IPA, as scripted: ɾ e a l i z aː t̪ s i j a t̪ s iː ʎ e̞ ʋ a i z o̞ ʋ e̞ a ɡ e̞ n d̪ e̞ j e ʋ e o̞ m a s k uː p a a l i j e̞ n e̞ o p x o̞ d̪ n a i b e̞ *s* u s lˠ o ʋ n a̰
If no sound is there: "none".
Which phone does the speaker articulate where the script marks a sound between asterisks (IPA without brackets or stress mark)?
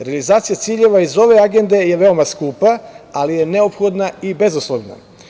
z